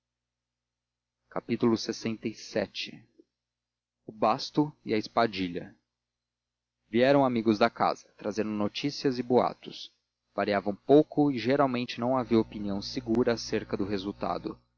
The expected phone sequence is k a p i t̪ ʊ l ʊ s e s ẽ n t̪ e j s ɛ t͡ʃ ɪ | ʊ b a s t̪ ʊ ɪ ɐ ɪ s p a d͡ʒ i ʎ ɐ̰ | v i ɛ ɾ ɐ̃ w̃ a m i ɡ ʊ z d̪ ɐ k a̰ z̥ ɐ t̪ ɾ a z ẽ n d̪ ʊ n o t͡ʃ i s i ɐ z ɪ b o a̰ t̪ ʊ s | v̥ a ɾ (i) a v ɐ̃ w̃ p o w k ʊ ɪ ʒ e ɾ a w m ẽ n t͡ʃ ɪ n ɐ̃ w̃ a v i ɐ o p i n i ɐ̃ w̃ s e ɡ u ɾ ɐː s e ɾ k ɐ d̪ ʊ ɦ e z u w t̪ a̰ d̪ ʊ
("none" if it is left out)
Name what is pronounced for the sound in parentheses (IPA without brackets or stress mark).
i